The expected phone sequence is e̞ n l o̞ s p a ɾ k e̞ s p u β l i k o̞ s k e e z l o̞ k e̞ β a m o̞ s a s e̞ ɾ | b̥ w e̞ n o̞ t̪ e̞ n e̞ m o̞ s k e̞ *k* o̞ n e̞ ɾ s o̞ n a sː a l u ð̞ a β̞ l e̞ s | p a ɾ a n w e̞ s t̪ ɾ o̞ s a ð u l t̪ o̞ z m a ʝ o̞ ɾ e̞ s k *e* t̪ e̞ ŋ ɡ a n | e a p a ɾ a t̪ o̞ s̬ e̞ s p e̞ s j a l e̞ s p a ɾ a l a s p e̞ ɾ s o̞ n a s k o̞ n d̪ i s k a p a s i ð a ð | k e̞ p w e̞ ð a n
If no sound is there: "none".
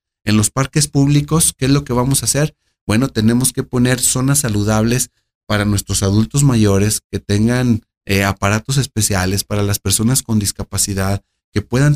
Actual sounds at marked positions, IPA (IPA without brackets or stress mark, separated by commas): p, e